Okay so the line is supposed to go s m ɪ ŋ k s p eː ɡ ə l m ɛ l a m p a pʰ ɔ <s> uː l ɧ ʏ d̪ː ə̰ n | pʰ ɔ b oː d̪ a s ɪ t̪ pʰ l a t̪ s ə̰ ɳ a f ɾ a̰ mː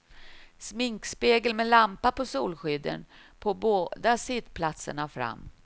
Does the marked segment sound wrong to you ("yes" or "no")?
no